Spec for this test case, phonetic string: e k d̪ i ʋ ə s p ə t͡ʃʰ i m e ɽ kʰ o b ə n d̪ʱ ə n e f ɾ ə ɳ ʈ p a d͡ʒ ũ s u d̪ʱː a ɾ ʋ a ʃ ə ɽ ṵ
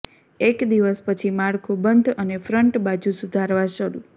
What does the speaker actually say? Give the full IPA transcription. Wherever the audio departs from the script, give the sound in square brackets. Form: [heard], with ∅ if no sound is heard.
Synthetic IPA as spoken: e k d̪ i ʋ ə s p ə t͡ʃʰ i m [a] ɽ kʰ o b ə n d̪ʱ ə n e f ɾ ə ɳ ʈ [b] a d͡ʒ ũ s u [d̪ʱ] a ɾ ʋ a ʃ ə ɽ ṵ